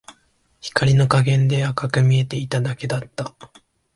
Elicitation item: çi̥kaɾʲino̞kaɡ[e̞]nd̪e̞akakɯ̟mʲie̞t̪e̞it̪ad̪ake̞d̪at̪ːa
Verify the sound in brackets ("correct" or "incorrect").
incorrect